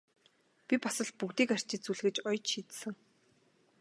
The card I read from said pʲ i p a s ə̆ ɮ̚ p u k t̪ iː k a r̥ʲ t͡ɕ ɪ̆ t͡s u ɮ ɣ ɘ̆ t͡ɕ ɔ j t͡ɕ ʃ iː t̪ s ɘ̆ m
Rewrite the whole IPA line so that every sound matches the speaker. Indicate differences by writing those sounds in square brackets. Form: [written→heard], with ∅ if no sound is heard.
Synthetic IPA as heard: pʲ i p a s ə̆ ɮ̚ p u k t̪ iː k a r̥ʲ t͡ɕ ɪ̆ t͡s u ɮ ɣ ɘ̆ t͡ɕ ɔ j t͡ɕ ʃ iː t̪ s ɘ̆ [m→ŋ]